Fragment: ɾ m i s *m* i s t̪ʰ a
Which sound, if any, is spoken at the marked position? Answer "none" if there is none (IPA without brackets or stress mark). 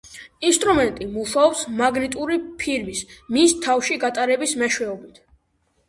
m